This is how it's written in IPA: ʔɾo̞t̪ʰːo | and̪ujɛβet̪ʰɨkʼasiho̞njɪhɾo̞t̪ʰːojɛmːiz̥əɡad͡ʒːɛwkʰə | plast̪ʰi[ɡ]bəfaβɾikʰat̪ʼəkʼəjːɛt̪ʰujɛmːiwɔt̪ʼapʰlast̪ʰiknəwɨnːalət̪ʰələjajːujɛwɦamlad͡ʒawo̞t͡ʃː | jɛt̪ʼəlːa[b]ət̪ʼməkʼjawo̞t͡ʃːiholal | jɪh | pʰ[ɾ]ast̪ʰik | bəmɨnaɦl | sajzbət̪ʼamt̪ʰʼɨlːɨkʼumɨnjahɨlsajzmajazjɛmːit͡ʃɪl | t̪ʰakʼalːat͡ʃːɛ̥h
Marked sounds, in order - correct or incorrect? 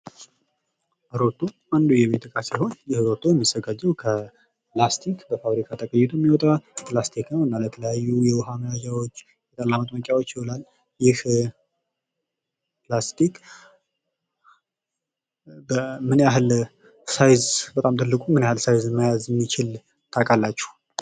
incorrect, incorrect, incorrect

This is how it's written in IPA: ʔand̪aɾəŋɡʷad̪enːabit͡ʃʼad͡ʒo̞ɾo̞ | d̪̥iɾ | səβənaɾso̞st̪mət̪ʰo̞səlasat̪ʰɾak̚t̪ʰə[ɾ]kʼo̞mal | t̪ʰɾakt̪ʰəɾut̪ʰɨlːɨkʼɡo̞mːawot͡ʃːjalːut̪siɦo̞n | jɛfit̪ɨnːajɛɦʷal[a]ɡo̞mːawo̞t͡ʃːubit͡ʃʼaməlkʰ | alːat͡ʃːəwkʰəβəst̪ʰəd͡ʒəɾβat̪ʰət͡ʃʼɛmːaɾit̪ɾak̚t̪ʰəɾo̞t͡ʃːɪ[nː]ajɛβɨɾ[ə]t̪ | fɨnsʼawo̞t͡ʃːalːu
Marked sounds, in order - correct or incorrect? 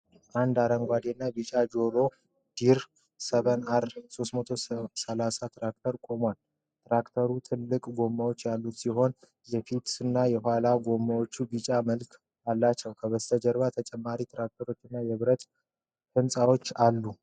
correct, correct, correct, correct

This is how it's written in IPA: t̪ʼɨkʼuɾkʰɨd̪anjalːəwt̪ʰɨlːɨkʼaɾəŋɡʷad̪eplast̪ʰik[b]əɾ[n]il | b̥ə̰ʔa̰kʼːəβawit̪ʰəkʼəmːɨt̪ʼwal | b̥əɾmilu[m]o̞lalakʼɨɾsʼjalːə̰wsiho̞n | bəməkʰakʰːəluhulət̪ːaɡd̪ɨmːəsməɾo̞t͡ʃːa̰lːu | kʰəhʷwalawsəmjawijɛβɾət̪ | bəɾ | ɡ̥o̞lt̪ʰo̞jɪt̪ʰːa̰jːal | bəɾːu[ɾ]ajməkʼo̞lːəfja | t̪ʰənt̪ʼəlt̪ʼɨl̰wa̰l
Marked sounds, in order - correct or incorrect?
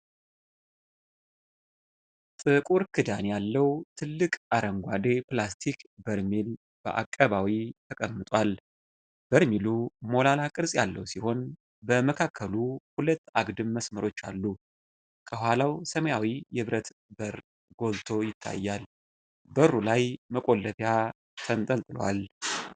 correct, incorrect, correct, incorrect

